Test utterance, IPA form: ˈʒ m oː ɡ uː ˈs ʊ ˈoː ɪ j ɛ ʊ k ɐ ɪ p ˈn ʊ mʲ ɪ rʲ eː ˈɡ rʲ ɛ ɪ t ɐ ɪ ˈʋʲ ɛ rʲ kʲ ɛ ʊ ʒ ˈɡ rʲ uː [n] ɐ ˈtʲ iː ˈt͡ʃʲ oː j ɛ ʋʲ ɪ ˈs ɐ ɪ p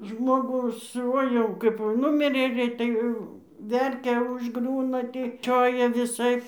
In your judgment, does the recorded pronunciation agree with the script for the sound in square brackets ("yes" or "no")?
yes